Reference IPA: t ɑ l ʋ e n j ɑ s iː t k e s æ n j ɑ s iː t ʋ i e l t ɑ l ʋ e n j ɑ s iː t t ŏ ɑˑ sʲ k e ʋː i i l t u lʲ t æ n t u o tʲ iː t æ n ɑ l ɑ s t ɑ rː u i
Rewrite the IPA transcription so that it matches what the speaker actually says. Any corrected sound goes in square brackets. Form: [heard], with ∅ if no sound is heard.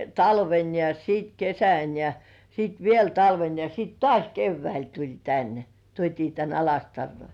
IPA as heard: t ɑ l ʋ e n j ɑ s iː t k e s æ n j ɑ s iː t ʋ i e l t ɑ l ʋ e n j ɑ s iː t t ŏ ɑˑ sʲ k e ʋː [æ] i l t u lʲ t æ n t u o tʲ iː t æ n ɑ l ɑ s t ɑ rː [o] i